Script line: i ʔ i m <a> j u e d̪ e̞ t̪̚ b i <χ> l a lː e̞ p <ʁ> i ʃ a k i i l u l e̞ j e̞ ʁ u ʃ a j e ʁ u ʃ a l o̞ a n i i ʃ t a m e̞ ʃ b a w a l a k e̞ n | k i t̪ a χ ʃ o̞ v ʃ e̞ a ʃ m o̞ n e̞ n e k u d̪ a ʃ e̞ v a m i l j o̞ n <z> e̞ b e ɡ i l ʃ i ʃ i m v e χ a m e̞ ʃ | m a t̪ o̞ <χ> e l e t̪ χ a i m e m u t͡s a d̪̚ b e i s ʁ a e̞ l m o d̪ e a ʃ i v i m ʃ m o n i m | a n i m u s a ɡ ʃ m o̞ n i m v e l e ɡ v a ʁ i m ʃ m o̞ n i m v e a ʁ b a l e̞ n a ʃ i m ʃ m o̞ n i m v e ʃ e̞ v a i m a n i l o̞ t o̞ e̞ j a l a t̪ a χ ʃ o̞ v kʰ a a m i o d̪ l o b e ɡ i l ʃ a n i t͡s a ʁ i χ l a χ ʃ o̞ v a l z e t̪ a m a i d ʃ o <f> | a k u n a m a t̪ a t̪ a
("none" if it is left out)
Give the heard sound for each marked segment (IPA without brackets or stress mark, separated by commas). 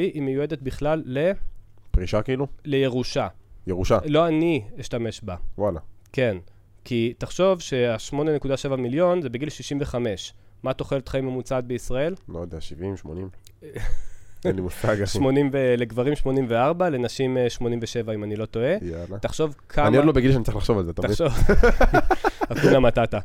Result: e, χ, ʁ, z, χ, v